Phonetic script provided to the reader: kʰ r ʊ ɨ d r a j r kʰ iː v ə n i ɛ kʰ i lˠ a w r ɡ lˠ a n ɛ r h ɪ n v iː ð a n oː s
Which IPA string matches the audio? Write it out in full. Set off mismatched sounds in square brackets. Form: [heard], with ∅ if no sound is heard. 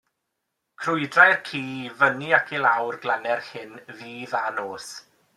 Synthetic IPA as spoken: kʰ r ʊ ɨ d r a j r kʰ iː v ə n i [a] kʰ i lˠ a w r ɡ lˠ a n ɛ r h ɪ n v iː ð a n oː s